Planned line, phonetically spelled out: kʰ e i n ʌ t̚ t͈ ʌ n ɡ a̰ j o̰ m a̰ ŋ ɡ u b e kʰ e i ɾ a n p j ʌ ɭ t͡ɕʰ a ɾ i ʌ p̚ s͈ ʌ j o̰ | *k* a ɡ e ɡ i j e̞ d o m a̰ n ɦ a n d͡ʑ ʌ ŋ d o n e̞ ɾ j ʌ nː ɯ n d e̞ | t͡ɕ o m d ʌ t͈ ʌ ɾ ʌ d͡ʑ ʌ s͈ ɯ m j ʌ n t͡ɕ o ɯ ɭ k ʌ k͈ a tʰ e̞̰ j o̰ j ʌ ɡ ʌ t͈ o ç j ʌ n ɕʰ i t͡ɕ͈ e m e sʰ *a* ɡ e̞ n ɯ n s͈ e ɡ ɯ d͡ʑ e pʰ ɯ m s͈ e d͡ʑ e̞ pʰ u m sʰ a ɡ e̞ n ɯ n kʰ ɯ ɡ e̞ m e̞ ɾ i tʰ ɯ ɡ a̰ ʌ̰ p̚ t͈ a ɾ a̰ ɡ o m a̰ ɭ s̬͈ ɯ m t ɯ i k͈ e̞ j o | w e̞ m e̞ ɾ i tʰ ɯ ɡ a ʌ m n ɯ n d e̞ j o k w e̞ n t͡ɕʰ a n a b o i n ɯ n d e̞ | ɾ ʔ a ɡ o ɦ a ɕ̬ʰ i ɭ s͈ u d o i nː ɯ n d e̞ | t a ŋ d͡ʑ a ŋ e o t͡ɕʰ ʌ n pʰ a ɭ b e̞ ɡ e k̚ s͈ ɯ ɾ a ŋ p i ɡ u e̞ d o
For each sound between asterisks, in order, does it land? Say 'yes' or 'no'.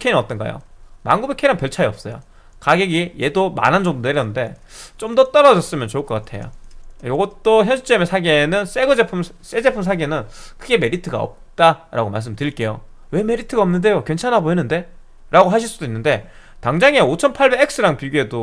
yes, yes

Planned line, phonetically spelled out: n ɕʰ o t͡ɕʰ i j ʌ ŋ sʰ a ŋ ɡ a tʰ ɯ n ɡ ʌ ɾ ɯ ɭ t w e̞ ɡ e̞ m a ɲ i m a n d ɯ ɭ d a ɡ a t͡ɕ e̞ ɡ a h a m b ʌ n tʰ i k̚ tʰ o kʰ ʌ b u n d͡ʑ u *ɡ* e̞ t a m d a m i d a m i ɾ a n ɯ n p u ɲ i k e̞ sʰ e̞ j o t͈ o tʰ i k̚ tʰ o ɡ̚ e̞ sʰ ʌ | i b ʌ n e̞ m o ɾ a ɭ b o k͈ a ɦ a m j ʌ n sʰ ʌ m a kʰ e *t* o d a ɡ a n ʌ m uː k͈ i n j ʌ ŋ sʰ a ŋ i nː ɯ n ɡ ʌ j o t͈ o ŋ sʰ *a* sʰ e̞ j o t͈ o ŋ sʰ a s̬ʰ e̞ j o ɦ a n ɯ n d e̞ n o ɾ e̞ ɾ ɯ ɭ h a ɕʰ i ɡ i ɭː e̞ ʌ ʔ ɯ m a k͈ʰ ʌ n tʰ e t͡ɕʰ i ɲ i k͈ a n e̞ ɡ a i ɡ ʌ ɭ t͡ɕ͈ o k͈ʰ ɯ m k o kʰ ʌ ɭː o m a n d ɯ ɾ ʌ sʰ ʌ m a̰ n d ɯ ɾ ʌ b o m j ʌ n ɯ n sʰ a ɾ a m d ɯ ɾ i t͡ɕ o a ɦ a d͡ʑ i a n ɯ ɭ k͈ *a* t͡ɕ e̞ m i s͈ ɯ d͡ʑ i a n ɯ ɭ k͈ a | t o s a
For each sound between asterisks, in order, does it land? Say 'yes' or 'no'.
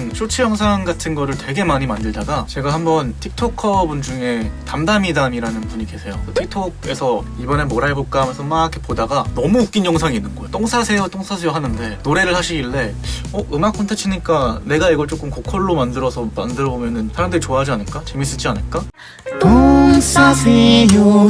no, no, yes, yes

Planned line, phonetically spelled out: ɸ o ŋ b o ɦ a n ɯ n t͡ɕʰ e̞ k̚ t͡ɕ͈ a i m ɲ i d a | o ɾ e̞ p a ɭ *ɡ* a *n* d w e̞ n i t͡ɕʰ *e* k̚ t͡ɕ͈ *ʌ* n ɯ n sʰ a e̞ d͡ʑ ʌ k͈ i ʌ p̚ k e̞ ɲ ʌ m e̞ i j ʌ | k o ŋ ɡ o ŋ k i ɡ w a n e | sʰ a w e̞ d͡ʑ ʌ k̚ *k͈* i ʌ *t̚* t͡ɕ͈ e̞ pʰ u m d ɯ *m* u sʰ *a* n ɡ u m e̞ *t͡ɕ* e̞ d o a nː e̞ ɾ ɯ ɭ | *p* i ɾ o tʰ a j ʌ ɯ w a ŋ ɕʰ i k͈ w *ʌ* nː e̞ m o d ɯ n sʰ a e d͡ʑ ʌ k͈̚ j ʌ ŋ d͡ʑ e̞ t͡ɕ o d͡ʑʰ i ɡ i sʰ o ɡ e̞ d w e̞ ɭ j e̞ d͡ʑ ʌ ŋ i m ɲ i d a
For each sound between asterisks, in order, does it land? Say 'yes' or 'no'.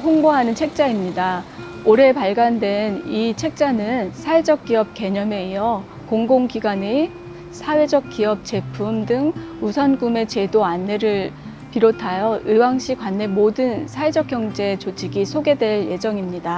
yes, yes, yes, no, yes, no, no, no, yes, yes, no

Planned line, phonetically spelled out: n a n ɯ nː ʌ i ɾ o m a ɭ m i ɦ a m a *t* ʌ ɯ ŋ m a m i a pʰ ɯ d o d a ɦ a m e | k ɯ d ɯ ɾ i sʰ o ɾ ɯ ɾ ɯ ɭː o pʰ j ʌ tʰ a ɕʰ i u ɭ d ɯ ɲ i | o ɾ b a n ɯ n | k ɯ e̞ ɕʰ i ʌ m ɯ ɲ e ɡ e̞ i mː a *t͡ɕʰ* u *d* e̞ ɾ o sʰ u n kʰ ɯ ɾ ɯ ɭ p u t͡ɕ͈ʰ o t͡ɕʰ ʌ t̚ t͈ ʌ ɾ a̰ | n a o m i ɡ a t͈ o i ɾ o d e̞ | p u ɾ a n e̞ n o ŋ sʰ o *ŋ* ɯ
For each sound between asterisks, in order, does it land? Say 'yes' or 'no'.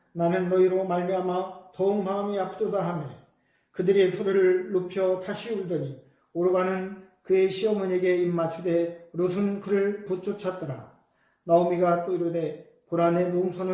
yes, yes, yes, no

